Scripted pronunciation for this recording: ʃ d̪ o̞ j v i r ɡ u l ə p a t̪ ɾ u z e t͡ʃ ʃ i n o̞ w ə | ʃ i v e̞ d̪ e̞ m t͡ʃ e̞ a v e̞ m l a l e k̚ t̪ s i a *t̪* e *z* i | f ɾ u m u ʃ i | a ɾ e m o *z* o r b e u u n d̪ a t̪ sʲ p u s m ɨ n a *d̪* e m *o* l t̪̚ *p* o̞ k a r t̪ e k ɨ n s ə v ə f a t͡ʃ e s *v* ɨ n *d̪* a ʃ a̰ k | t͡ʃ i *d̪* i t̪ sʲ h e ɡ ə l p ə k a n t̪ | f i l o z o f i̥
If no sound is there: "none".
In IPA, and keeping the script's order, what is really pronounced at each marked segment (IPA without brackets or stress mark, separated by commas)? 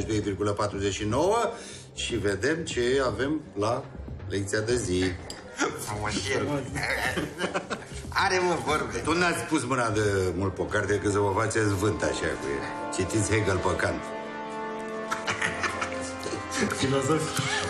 d̪, z, v, d̪, u, p, v, t̪, t̪